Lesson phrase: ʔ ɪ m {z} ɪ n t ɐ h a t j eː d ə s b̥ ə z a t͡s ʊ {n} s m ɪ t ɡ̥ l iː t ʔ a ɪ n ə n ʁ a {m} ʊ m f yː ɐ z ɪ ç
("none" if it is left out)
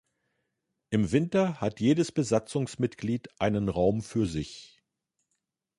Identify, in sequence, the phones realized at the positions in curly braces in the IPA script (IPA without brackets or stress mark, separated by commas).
v, ŋ, none